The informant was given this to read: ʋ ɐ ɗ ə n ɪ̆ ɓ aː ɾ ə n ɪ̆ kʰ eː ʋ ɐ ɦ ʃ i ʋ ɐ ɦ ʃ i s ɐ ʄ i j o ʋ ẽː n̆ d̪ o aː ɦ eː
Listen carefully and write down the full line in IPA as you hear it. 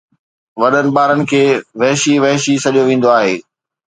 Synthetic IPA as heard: ʋ ɐ ɗ ə n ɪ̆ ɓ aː ɾ ə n ɪ̆ kʰ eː ʋ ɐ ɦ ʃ i ʋ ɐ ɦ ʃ i s ɐ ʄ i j o ʋ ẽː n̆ d̪ o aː ɦ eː